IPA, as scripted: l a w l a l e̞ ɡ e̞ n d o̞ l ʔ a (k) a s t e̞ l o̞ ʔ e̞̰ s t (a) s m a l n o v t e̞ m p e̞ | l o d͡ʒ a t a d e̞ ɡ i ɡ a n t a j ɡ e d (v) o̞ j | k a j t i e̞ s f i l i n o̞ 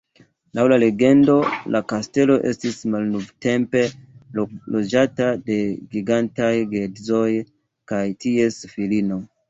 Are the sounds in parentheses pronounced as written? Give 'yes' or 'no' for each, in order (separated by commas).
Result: yes, no, no